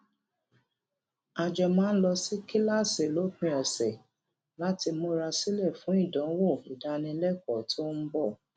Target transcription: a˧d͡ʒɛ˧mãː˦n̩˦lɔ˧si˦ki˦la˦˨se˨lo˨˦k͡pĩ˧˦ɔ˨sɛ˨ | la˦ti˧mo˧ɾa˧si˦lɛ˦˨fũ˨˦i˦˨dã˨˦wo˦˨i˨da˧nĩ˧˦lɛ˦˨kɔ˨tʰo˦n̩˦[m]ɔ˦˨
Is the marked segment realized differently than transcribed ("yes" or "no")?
yes